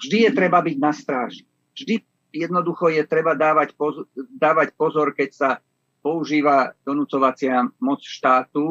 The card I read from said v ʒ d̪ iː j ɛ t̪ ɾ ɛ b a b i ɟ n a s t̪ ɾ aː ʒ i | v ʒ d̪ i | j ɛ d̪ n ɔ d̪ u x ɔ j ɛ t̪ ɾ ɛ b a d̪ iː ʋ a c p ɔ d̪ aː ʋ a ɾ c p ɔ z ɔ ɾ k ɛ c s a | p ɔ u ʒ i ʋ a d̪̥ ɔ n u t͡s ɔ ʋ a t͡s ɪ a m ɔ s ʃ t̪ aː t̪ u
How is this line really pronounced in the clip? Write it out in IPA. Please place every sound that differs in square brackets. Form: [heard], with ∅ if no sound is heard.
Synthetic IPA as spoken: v ʒ d̪ [i] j ɛ t̪ ɾ ɛ b a b i ɟ n a s t̪ ɾ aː ʒ i | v ʒ d̪ i | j ɛ d̪ n ɔ d̪ u x ɔ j ɛ t̪ ɾ ɛ b a d̪ [aː] ʋ a c p ɔ d̪ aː ʋ a [∅] c p ɔ z ɔ ɾ k ɛ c s a | p ɔ u ʒ [iː] ʋ a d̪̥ ɔ n u t͡s ɔ ʋ a t͡s ɪ a m ɔ [t͡s] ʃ t̪ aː t̪ u